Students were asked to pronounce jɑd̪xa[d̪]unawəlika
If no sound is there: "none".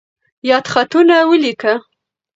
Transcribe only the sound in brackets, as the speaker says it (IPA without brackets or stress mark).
t̪